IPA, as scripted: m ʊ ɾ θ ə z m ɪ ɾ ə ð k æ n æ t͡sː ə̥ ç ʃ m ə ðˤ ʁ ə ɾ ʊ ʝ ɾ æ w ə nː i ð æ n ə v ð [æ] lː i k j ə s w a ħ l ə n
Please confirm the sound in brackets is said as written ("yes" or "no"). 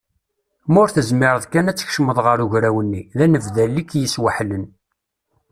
yes